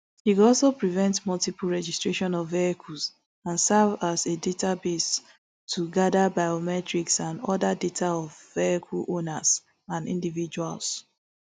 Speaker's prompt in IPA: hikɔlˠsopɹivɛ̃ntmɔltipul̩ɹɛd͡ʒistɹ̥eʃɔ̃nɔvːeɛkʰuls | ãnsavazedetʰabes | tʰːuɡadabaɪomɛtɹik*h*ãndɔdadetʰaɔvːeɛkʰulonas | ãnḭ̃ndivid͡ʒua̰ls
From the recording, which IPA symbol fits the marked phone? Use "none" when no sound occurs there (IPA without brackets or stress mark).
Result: s